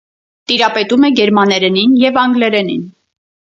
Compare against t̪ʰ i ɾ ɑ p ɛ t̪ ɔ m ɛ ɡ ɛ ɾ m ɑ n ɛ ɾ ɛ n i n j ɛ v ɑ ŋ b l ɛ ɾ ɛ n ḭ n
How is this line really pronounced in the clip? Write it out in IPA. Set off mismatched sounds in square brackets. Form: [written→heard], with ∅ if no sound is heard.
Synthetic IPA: [t̪ʰ→t̪] i ɾ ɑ p ɛ t̪ [ɔ→u] m ɛ ɡ ɛ ɾ m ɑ n ɛ ɾ ɛ n i n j ɛ v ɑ ŋ [b→ɡ] l ɛ ɾ ɛ n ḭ n